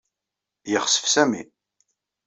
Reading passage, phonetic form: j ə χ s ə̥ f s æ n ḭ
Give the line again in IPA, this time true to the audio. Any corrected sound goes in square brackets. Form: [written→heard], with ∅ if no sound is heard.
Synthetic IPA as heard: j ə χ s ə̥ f s æ [n→m] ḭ